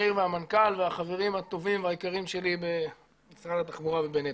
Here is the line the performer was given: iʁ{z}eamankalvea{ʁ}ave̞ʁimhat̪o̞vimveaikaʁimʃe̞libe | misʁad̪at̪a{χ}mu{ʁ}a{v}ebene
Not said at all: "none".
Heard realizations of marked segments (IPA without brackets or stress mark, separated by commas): v, χ, χ, ʁ, v